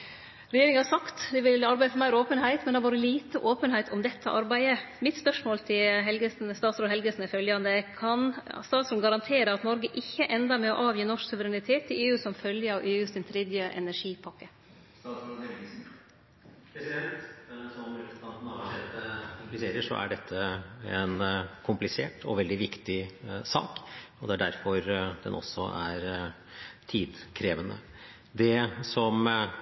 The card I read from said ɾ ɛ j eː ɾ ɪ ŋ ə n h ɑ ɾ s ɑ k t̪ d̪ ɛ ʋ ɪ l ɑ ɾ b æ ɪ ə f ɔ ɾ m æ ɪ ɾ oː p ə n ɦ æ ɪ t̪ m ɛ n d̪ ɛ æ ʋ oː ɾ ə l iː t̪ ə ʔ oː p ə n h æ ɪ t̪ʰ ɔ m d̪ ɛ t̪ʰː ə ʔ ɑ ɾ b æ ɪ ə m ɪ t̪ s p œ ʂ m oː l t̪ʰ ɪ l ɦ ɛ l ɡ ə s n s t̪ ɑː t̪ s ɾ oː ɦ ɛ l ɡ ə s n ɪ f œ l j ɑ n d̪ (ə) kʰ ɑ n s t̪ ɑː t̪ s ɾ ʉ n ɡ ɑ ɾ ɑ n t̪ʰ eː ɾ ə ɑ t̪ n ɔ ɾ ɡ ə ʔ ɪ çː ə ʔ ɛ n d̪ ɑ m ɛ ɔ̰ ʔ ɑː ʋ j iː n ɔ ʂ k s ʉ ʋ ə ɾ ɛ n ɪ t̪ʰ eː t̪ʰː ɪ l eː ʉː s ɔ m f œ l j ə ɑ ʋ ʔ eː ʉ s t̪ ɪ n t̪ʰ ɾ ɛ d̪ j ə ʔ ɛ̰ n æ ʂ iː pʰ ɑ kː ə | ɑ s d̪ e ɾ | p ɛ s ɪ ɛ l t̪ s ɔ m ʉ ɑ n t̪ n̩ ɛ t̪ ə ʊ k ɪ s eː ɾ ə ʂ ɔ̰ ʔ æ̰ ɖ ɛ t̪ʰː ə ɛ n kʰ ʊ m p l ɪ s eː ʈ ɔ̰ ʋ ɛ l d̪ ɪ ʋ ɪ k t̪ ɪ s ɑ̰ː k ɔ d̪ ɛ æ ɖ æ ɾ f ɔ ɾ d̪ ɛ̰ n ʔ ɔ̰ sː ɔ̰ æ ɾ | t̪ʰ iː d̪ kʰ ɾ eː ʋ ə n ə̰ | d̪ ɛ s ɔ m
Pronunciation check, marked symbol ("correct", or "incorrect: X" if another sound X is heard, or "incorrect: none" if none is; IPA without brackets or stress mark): correct